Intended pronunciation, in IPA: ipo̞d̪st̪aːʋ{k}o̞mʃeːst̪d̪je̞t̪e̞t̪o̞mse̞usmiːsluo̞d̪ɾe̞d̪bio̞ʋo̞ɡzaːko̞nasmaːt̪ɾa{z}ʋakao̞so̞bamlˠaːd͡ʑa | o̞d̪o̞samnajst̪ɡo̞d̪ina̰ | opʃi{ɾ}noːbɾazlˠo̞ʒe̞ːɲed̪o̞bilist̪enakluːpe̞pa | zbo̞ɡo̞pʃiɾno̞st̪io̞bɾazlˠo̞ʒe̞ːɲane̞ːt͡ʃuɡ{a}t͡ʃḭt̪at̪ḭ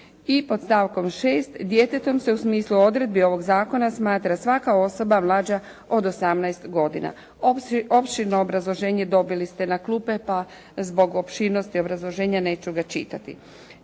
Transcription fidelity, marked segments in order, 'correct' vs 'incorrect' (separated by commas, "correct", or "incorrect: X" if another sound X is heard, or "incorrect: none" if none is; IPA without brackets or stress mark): correct, incorrect: s, correct, correct